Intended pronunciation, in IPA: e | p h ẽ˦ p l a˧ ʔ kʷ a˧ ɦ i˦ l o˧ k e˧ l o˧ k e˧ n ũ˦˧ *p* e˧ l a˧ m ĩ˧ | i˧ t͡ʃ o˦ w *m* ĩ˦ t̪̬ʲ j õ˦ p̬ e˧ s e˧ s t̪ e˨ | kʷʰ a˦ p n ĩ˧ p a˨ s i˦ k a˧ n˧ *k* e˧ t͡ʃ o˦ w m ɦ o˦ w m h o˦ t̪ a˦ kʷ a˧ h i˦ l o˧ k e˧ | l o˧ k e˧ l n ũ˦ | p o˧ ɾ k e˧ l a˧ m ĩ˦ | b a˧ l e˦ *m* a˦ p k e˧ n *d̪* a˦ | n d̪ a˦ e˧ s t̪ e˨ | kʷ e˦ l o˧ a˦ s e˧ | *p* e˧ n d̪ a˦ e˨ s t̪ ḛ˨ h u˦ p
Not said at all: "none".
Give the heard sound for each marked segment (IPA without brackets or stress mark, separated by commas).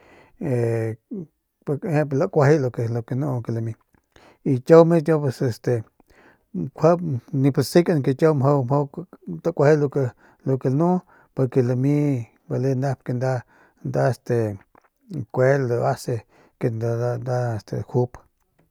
k, m, k, n, d̪, k